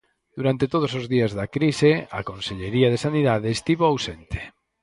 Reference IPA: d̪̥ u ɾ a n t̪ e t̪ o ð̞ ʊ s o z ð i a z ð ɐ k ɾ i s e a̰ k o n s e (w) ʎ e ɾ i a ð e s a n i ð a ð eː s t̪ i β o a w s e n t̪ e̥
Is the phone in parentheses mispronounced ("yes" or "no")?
yes